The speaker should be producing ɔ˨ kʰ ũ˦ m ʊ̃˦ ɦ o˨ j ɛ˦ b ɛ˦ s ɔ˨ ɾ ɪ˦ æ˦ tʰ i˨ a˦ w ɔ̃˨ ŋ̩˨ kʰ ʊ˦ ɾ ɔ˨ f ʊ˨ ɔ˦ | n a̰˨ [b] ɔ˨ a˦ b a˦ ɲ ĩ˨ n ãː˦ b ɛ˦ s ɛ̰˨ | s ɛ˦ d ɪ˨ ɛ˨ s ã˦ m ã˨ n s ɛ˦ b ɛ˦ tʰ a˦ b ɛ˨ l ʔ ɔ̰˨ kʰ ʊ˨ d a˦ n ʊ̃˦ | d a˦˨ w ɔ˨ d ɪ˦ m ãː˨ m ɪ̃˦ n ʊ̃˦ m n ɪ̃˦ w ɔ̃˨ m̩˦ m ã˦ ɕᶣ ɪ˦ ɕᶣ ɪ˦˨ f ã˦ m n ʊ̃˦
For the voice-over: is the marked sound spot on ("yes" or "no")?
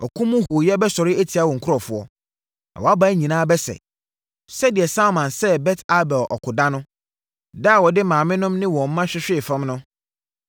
no